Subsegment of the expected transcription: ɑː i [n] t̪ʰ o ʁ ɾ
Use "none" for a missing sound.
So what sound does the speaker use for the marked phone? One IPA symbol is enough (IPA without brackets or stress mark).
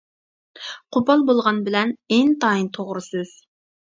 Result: n